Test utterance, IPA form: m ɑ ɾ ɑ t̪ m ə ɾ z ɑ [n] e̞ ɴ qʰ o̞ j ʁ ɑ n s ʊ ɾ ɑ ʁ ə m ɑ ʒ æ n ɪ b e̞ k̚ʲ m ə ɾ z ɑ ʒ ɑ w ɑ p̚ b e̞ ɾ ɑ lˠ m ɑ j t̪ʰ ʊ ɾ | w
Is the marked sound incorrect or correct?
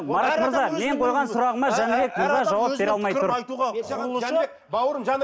incorrect